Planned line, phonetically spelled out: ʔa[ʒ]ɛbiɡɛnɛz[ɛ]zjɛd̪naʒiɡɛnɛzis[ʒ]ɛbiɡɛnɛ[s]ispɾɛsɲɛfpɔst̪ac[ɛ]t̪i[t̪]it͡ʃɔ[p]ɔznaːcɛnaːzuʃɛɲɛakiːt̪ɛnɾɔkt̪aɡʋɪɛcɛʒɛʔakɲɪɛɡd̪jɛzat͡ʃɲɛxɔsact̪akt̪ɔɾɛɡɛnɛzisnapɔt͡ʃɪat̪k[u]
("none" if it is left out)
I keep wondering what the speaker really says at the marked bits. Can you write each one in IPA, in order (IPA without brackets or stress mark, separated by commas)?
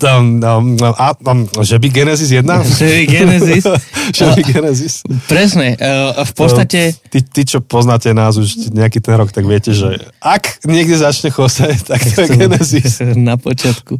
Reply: ʒ, i, ʒ, z, ɛ, t̪, p, u